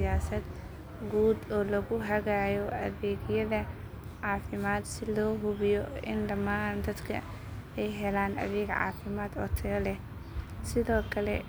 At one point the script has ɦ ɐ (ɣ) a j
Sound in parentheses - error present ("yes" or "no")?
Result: no